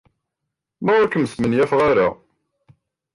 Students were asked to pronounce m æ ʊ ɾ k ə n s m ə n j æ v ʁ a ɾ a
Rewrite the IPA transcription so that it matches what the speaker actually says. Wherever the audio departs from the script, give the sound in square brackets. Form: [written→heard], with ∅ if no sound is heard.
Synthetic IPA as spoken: m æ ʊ ɾ k ə [n→m] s m ə n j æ [v→f] ʁ a ɾ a